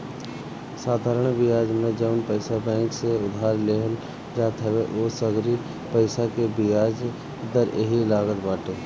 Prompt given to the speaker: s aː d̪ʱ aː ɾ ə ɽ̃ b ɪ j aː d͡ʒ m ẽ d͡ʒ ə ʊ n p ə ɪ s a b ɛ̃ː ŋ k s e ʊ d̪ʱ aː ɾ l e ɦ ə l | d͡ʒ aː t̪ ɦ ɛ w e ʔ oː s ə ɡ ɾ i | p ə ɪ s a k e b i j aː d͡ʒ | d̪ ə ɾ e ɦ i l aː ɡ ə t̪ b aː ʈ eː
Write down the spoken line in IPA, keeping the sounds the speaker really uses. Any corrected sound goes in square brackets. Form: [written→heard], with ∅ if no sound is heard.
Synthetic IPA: s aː d̪ʱ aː ɾ ə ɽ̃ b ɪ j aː d͡ʒ m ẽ d͡ʒ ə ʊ n p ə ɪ s a b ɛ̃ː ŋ k s e ʊ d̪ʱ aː ɾ l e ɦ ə l | d͡ʒ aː t̪ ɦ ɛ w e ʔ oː s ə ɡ ɾ i | p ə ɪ s a k e b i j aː d͡ʒ | d̪ ə ɾ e ɦ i l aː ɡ ə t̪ b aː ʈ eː